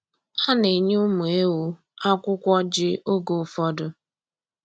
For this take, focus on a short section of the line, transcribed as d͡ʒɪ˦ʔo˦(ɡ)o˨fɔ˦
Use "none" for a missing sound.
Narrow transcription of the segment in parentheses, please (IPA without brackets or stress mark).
ɡ